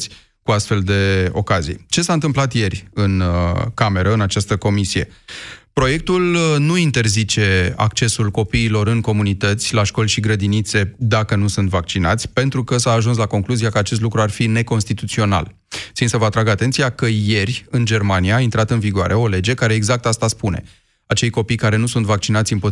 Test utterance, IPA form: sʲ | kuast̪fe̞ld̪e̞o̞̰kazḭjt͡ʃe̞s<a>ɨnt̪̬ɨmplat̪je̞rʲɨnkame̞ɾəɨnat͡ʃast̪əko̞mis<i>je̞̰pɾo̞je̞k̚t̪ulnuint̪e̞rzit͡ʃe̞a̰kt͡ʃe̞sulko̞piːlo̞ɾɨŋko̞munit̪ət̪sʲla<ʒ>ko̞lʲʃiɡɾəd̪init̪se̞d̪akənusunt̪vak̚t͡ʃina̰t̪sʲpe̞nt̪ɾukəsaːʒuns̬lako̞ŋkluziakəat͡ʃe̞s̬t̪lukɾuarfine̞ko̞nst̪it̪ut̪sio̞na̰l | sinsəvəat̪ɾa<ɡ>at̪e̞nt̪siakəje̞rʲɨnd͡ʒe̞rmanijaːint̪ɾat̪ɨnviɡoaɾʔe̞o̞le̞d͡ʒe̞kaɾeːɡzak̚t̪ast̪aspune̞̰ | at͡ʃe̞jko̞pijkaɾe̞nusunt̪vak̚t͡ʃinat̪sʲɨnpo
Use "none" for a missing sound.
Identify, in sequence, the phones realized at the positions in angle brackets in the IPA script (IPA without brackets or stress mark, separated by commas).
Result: a, i, ʃ, ɡ